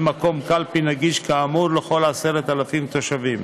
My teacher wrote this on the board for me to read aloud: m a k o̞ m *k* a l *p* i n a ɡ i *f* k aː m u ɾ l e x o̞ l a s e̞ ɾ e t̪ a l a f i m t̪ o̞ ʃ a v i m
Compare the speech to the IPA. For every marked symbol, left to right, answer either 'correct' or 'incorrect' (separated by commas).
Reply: correct, correct, incorrect